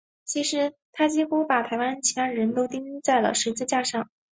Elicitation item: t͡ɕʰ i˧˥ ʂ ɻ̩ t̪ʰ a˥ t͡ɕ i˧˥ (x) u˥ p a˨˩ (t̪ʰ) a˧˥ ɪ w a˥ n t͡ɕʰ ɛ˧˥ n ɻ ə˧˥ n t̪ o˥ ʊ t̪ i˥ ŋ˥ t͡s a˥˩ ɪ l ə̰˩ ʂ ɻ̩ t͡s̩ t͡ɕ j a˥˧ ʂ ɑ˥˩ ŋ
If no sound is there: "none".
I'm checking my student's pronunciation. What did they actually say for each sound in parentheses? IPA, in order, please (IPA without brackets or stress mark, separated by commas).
x, t̪ʰ